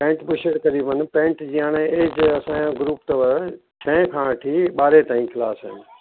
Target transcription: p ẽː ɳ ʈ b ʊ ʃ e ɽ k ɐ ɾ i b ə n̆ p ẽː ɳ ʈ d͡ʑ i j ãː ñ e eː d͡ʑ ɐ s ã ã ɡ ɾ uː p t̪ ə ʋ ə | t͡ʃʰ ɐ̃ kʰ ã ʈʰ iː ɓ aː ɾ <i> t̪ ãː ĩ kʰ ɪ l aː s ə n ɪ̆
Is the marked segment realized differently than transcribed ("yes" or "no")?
yes